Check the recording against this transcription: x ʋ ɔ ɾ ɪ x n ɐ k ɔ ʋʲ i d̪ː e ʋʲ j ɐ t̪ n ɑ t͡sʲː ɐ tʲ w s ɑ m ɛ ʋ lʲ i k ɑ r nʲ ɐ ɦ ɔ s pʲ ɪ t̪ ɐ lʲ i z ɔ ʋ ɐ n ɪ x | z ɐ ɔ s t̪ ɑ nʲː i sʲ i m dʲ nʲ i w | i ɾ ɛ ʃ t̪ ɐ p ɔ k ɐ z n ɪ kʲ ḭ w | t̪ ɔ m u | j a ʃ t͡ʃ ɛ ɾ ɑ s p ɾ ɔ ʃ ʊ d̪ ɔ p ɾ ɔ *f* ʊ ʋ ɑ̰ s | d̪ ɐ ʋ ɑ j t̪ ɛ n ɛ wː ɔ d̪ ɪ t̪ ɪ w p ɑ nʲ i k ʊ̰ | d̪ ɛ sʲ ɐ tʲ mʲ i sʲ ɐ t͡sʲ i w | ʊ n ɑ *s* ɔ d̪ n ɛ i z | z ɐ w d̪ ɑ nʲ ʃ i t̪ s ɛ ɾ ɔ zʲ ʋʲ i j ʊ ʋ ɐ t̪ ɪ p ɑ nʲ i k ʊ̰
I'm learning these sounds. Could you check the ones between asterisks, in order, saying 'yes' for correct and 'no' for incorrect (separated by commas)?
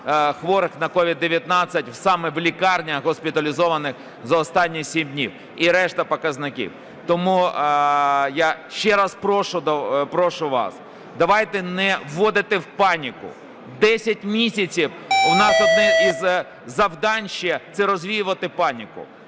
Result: no, yes